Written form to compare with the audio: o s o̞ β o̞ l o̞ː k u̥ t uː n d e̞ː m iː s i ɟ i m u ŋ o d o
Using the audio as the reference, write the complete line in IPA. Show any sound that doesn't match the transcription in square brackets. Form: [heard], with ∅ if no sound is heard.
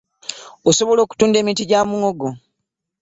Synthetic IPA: o s o̞ β o̞ l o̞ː k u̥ t uː n d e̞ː m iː [t] i ɟ [a] m u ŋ o [ɡ] o